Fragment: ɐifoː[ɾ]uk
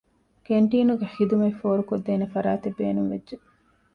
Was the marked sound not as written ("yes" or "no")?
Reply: no